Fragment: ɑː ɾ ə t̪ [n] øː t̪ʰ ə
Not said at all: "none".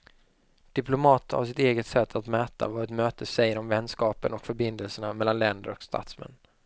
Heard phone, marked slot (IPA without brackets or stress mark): m